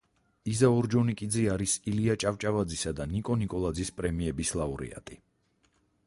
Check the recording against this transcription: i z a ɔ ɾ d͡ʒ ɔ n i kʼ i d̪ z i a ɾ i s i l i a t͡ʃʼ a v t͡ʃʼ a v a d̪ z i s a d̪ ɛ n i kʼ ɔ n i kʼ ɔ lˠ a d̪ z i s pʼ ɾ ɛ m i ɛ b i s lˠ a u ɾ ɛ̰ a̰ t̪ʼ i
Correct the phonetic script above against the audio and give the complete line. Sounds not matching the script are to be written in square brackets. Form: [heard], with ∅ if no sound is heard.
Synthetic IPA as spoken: i z a ɔ ɾ d͡ʒ ɔ n i kʼ i d̪ z i a ɾ i s i l i a t͡ʃʼ a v t͡ʃʼ a v a d̪ z i s a d̪ [a] n i kʼ ɔ n i kʼ ɔ lˠ a d̪ z i s pʼ ɾ ɛ m i ɛ b i s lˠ a u ɾ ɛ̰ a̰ t̪ʼ i